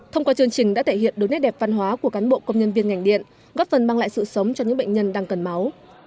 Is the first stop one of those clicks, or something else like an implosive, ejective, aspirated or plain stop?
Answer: aspirated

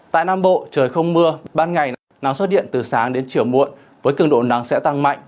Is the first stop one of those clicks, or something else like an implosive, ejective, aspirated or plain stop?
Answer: plain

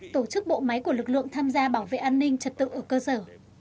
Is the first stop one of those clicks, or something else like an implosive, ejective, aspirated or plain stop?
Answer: plain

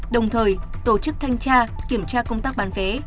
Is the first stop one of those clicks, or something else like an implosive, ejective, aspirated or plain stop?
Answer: implosive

